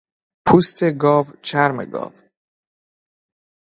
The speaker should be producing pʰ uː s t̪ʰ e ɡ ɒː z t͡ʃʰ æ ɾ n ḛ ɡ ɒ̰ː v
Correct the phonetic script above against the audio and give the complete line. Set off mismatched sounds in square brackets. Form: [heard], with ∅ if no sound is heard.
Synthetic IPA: pʰ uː s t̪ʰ e ɡ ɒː [v] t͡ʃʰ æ ɾ [m] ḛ ɡ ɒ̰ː v